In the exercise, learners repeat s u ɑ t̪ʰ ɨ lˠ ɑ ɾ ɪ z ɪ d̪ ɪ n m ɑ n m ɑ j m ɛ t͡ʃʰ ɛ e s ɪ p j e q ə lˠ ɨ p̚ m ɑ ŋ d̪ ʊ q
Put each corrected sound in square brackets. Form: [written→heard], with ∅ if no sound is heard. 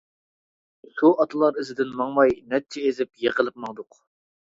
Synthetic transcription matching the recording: s u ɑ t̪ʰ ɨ lˠ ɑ ɾ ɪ z ɪ d̪ ɪ n m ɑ [n→ŋ] m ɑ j [m→n] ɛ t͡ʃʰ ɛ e [s→z] ɪ p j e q ə lˠ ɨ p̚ m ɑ ŋ d̪ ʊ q

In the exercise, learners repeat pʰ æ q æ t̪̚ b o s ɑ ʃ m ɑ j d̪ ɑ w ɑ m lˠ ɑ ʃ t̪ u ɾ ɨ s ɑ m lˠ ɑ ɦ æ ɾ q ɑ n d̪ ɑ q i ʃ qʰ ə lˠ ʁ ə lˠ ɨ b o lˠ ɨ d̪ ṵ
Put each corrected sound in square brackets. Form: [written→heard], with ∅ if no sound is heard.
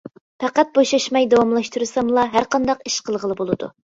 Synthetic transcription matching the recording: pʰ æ q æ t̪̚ b o [s→ʃ] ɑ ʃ m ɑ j d̪ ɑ w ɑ m lˠ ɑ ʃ t̪ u ɾ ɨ s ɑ m lˠ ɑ ɦ æ ɾ q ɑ n d̪ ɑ q i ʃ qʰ ə lˠ ʁ ə lˠ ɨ b o lˠ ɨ d̪ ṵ

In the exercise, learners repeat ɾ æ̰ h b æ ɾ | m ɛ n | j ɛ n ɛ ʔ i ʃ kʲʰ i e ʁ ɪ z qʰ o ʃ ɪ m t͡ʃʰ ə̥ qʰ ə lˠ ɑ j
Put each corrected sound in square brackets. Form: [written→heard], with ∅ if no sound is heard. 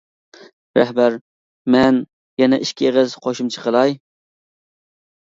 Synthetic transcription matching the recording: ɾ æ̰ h b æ ɾ | m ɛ n | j ɛ n ɛ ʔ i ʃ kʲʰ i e ʁ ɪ z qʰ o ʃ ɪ m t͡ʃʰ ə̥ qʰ ə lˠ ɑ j

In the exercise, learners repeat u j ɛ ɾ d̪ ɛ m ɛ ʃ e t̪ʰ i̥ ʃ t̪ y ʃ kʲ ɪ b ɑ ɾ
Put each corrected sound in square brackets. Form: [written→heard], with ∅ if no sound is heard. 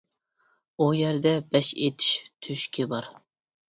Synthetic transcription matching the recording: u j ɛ ɾ d̪ ɛ [m→b] ɛ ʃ e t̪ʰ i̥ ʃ [t̪→t̪ʰ] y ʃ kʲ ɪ b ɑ ɾ

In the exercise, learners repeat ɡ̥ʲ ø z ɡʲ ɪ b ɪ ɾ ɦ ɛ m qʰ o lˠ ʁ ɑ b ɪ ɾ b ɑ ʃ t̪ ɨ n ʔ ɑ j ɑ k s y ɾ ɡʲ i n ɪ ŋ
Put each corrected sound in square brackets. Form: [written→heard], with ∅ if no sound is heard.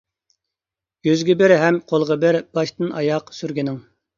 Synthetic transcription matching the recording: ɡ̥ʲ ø z ɡʲ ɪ b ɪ ɾ ɦ ɛ m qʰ o lˠ ʁ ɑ b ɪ ɾ b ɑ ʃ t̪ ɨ n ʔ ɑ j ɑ [k→q] s y ɾ ɡʲ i n ɪ ŋ

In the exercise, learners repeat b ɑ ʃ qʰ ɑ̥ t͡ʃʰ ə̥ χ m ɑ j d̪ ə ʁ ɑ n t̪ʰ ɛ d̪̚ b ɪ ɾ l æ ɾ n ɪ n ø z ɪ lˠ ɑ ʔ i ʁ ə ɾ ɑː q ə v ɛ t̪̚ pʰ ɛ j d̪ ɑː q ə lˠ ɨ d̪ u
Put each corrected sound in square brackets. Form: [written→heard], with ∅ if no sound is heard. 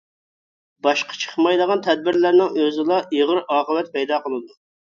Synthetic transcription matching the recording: b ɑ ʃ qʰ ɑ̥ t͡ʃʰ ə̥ χ m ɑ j d̪ ə ʁ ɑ n t̪ʰ ɛ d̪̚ b ɪ ɾ l æ ɾ n ɪ [n→ŋ] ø z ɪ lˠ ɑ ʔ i ʁ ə ɾ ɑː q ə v ɛ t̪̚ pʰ ɛ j d̪ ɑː q ə lˠ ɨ d̪ u

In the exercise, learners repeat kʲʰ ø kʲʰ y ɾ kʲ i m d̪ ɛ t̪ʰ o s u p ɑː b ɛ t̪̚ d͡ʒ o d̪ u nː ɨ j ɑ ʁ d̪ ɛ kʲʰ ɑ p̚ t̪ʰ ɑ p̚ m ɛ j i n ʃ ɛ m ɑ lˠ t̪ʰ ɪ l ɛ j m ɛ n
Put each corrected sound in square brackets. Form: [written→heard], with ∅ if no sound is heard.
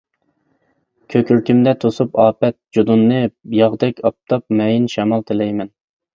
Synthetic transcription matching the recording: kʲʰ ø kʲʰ y ɾ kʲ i m d̪ ɛ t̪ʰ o s u p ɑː [b→p] ɛ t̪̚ d͡ʒ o d̪ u nː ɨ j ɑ ʁ d̪ ɛ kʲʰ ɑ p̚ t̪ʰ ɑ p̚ m ɛ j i n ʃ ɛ m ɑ lˠ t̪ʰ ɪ l ɛ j m ɛ n

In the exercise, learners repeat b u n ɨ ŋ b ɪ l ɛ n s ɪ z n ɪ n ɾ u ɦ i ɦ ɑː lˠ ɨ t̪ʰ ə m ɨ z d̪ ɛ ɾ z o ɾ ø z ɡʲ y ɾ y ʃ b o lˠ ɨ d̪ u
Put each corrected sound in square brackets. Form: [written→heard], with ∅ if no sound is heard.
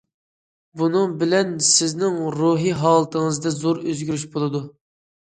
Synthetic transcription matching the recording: b u n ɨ ŋ b ɪ l ɛ n s ɪ z n ɪ [n→ŋ] ɾ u ɦ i ɦ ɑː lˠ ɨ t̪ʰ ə [m→ŋ] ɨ z d̪ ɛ [ɾ→∅] z o ɾ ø z ɡʲ y ɾ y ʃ b o lˠ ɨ d̪ u

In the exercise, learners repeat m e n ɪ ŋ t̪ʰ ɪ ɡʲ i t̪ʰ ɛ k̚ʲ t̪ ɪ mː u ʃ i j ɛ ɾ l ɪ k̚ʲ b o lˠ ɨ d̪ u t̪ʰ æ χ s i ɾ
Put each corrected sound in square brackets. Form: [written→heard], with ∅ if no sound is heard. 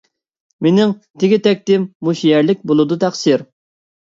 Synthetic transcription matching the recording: m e n ɪ ŋ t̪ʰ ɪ ɡʲ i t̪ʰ ɛ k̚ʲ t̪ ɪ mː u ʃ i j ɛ ɾ l ɪ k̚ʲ b o lˠ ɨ d̪ u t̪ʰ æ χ s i ɾ

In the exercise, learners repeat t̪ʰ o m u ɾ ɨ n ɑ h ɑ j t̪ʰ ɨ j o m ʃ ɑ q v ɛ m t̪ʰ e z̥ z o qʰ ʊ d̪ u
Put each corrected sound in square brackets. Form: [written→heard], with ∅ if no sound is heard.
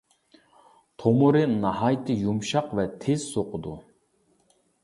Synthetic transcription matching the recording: t̪ʰ o m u ɾ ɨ n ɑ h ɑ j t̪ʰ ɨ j [o→u] m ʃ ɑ q v ɛ [m→∅] t̪ʰ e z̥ [z→s] o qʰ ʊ d̪ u

